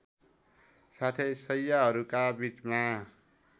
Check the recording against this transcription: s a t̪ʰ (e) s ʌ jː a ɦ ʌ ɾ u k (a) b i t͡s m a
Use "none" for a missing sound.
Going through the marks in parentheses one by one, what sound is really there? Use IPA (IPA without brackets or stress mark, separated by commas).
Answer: e, a